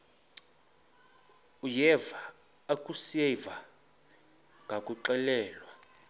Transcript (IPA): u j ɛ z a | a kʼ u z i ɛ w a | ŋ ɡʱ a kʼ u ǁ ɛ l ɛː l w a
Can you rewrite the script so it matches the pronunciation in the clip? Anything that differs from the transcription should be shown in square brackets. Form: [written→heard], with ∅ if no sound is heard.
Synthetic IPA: u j ɛ [z→v] a | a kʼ u [z→s] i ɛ [w→v] a | ŋ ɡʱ a kʼ u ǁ ɛ l ɛː l w a